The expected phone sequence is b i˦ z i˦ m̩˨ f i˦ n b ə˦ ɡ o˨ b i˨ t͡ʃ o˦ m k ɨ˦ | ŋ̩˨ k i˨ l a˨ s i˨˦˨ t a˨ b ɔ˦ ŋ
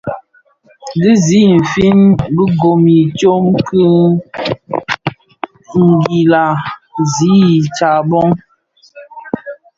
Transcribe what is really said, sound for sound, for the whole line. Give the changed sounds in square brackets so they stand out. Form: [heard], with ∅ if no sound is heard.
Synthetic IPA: [d] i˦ z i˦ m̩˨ f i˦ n b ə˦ ɡ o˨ [m] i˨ t͡ʃ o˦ m k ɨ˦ | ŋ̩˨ [ɡ] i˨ l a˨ [z] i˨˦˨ [t͡ʃ] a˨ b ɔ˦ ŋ